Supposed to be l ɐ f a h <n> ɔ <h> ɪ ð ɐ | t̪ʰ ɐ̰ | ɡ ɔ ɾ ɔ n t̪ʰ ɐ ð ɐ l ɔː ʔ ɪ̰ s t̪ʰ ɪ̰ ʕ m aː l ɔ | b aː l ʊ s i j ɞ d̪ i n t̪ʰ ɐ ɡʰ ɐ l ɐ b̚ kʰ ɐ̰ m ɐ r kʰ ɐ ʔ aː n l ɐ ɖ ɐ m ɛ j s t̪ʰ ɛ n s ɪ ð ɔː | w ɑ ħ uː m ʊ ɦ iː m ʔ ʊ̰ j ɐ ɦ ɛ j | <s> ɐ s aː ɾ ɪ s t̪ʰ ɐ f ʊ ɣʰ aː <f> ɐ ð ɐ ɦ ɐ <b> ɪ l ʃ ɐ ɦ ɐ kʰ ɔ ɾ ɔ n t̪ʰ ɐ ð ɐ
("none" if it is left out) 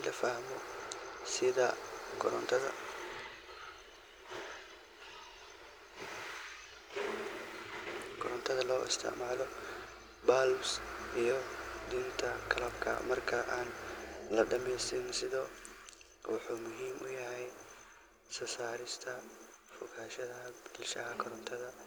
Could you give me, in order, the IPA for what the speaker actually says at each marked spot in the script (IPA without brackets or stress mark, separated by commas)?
m, s, s, ʃ, b